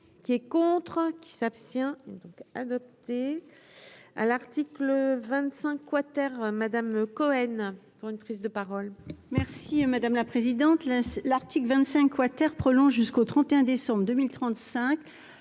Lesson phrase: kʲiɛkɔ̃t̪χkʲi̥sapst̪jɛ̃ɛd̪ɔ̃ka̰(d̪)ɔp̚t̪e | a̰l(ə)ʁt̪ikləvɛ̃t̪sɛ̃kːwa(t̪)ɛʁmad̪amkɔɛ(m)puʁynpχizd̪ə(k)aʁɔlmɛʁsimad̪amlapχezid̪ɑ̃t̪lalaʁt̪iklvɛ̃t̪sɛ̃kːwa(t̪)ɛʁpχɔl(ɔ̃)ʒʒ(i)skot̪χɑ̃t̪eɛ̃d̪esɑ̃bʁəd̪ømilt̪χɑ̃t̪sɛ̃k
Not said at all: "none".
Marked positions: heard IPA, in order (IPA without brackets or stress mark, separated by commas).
d̪, a, t̪, n, p, t̪, ɔ̃, y